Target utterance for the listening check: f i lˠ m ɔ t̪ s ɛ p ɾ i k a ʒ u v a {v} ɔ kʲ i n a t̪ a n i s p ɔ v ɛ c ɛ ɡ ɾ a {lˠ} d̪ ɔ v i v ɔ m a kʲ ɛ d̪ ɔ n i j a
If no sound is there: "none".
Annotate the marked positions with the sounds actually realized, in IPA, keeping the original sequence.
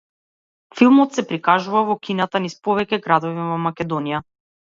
v, none

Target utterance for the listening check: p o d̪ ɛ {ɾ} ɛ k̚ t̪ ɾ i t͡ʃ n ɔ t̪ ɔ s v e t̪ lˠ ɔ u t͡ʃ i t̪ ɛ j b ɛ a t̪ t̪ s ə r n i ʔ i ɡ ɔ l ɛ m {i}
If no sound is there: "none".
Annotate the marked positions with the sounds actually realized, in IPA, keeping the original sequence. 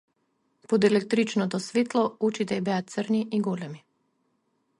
l, i

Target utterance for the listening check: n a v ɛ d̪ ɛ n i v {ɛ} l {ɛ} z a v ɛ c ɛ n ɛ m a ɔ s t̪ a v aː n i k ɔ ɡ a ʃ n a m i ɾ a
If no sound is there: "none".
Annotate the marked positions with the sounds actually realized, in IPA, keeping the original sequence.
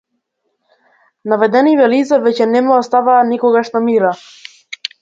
ɛ, i

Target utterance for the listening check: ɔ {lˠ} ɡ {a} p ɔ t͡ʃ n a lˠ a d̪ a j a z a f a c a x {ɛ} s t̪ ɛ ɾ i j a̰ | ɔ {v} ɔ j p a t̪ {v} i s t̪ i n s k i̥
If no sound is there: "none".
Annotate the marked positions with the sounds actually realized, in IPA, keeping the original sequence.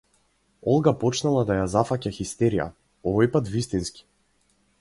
lˠ, a, i, v, v

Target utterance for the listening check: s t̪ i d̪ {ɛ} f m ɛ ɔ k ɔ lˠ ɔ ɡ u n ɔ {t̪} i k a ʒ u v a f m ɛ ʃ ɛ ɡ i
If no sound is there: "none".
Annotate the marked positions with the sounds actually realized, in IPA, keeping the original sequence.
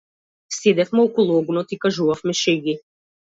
ɛ, t̪

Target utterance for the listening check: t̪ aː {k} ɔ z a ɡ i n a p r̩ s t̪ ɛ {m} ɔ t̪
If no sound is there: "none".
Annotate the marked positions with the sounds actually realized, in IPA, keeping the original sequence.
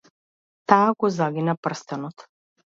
ɡ, n

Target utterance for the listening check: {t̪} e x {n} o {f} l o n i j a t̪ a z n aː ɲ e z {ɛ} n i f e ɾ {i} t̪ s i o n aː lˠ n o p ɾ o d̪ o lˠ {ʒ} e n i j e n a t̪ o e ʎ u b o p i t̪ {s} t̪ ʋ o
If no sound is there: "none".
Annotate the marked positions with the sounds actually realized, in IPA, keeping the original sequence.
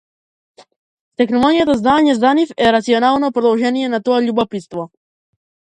t̪, n, none, a, a, ʒ, s

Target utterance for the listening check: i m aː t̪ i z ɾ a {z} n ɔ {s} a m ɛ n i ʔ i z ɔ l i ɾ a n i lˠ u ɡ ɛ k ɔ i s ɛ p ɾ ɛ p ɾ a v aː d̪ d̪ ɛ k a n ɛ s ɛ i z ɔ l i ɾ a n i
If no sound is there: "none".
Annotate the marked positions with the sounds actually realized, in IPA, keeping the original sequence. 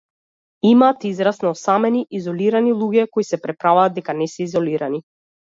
s, s

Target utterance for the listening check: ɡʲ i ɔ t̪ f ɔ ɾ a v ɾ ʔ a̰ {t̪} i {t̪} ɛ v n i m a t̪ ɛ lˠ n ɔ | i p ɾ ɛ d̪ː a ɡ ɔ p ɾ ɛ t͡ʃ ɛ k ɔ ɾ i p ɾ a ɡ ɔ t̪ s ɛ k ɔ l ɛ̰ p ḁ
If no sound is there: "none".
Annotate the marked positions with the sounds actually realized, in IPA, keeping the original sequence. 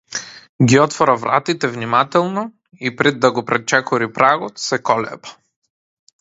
t̪, t̪

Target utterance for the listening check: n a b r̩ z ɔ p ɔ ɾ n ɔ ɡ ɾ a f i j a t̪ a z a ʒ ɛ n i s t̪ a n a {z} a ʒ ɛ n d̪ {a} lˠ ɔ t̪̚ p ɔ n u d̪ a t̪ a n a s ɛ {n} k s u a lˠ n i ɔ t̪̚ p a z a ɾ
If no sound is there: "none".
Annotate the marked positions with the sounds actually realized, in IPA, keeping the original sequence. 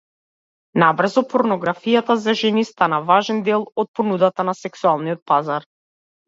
v, ɛ, none

